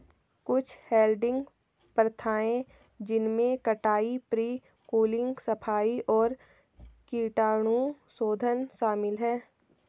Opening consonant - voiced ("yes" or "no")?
no